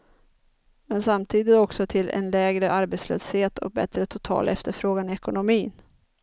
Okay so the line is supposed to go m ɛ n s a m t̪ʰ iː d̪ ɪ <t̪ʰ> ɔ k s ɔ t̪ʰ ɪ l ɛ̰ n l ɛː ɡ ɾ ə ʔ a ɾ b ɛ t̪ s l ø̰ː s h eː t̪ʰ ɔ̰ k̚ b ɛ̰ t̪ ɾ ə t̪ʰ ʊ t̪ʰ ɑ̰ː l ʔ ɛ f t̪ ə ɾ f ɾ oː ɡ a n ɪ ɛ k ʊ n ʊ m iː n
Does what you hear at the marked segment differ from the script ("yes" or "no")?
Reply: yes